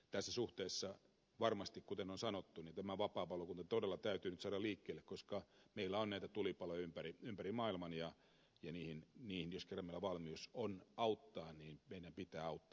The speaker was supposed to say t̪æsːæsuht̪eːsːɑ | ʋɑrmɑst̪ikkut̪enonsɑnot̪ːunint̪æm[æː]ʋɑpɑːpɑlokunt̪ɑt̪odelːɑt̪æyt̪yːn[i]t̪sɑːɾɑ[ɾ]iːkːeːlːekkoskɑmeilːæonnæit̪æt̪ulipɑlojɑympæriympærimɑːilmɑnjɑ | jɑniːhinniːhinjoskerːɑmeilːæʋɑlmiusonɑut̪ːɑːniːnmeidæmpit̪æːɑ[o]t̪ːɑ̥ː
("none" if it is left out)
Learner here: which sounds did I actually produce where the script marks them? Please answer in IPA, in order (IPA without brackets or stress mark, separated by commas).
æ, y, l, u